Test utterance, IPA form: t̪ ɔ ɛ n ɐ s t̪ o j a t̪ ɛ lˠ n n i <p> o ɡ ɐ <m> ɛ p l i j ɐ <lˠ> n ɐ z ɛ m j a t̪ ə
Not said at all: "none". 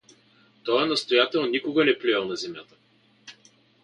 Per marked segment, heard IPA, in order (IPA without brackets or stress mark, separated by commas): k, n, lˠ